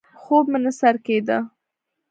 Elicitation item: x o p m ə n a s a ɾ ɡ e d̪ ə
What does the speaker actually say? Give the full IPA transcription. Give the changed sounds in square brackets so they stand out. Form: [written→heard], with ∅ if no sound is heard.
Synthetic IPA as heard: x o [p→b] m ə n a s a ɾ [ɡ→k] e d̪ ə